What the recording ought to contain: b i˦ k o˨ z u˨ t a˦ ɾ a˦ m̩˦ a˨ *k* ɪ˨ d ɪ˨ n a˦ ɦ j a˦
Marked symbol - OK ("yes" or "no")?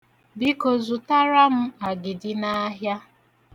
no